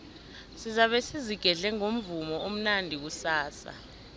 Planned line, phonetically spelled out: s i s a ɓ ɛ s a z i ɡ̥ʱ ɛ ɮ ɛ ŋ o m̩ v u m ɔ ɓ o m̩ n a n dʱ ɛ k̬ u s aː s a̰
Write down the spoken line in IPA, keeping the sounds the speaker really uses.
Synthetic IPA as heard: s i z a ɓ ɛ s i z i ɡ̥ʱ ɛ ɮ ɛ ŋ o m̩ v u m ɔ o m̩ n a n dʱ i k̬ u s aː s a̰